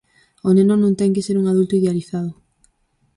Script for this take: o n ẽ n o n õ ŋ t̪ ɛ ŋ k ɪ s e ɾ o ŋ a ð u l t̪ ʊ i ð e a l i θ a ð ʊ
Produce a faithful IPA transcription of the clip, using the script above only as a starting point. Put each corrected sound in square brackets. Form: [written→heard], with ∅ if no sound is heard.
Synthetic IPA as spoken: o n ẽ n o n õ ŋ t̪ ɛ ŋ k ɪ s e ɾ [o→u] ŋ a ð u l t̪ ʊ i ð e a l i θ a ð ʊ

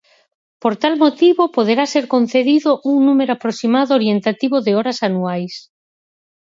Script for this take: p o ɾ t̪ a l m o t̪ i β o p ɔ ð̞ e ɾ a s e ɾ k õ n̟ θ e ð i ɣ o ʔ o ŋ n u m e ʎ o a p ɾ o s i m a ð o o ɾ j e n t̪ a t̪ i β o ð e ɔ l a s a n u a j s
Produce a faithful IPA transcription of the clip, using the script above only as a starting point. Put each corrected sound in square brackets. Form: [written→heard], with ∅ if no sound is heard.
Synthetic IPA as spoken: p o ɾ t̪ a l m o t̪ i β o p [ɔ→o] ð̞ e ɾ a s e ɾ k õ n̟ θ e ð i [ɣ→ð] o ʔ [o→u] ŋ n u m e [ʎ→ɾ] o a p ɾ o s i m a ð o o ɾ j e n t̪ a t̪ i β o ð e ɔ [l→ɾ] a s a n u a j s

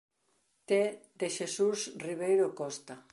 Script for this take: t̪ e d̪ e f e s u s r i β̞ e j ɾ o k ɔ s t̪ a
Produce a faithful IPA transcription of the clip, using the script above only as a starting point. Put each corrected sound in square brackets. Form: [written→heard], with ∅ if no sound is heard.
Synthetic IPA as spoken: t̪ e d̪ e [f→ʃ] e s u s r i β̞ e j ɾ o k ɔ s t̪ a

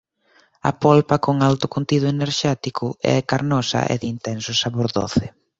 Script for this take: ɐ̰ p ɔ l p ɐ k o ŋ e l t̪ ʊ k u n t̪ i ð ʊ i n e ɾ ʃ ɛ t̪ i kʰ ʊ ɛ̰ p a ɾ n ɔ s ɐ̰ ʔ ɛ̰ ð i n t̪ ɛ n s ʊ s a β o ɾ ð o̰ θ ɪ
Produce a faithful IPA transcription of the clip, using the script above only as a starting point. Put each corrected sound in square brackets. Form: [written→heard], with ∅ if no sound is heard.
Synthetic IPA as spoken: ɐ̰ p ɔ l p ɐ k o ŋ [e→a] l t̪ ʊ k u n t̪ i ð ʊ [i→e] n e ɾ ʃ ɛ t̪ i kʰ ʊ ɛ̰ [p→k] a ɾ n ɔ s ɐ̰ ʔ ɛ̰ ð i n t̪ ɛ n s ʊ s a β o ɾ ð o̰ θ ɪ

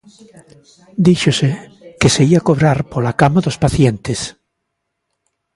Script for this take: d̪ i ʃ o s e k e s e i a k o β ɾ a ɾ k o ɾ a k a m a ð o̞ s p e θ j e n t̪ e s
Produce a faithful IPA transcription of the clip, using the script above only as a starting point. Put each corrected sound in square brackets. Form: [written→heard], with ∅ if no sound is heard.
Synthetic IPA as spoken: d̪ i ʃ o s e k e s e i a k o β ɾ a ɾ [k→p] o [ɾ→l] a k a m a ð o̞ s p [e→a] θ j e n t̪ e s

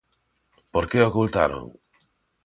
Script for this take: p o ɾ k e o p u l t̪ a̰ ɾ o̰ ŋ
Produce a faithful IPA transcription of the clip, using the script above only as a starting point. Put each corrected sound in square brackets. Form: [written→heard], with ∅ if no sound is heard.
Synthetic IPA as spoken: p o ɾ k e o [p→k] u l t̪ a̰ ɾ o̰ ŋ

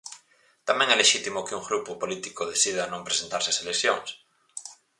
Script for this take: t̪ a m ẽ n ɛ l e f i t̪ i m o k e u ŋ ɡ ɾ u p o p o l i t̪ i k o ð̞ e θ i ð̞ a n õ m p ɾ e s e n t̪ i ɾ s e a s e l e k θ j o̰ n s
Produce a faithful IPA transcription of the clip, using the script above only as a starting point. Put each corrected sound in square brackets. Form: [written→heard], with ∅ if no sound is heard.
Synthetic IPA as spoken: t̪ a m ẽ [n→ŋ] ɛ l e [f→ʃ] i t̪ i m o k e u ŋ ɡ ɾ u p o p o l i t̪ i k o ð̞ e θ i ð̞ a n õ m p ɾ e s e n t̪ [i→a] ɾ s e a s e l e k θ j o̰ [n→ŋ] s

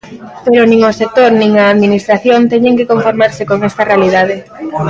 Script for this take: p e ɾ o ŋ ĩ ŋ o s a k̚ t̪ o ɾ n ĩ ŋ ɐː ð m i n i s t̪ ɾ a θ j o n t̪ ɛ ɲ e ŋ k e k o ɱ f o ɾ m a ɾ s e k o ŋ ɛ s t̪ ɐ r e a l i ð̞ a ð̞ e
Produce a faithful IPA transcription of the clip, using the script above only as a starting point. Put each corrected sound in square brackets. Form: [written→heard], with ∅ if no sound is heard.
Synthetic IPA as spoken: p e ɾ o [ŋ→n] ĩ ŋ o s [a→e] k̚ t̪ o ɾ n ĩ ŋ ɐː ð m i n i s t̪ ɾ a θ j o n t̪ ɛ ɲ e ŋ k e k o ɱ f o ɾ m a ɾ s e k o ŋ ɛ s t̪ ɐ r e a l i ð̞ a ð̞ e

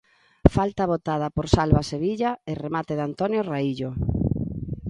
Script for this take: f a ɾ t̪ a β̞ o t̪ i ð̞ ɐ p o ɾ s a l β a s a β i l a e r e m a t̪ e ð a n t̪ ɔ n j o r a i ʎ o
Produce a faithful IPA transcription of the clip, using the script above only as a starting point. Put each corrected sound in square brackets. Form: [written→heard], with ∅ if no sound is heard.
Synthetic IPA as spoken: f a [ɾ→l] t̪ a β̞ o t̪ [i→a] ð̞ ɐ p o ɾ s a l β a s [a→e] β i [l→ʎ] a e r e m a t̪ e ð a n t̪ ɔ n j o r a i ʎ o

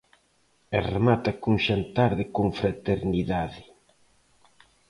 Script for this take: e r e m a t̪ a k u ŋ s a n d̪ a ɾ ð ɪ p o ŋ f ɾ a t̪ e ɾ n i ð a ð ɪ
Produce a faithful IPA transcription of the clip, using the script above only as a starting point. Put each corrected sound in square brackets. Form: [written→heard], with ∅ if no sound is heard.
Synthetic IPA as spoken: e r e m a t̪ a k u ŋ [s→ʃ] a n [d̪→t̪] a ɾ ð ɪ [p→k] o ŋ f ɾ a t̪ e ɾ n i ð a ð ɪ

